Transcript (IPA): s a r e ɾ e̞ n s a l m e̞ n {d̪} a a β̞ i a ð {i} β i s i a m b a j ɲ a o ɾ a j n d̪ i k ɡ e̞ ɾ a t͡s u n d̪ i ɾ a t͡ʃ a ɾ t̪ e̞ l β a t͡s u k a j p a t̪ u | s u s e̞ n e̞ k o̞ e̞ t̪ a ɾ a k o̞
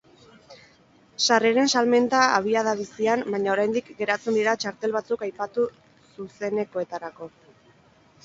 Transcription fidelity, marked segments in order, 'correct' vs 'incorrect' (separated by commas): incorrect, incorrect